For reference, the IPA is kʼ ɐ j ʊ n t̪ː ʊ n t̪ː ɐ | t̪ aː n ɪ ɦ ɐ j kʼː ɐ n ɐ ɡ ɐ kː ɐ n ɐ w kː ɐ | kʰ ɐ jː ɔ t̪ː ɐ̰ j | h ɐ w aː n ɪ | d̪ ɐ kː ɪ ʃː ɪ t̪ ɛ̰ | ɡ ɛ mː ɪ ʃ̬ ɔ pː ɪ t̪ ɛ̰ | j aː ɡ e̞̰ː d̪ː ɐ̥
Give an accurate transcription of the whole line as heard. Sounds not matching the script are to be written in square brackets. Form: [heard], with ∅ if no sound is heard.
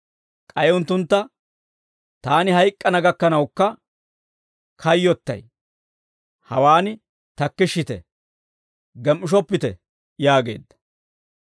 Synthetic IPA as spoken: kʼ ɐ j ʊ n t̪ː ʊ n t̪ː ɐ | t̪ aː n ɪ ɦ ɐ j kʼː ɐ n ɐ ɡ ɐ kː ɐ n ɐ w kː ɐ | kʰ ɐ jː ɔ t̪ː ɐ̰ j | h ɐ w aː n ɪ | [t̪] ɐ kː ɪ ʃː ɪ t̪ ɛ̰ | ɡ ɛ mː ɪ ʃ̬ ɔ pː ɪ t̪ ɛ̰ | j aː ɡ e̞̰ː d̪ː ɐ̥